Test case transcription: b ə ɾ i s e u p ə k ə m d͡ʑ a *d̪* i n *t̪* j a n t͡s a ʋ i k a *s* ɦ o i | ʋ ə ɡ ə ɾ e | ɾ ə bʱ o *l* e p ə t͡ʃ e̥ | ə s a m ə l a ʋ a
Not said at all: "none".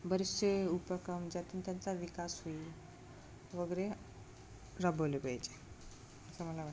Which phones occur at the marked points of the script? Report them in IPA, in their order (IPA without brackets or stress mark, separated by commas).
t̪, t̪, s, l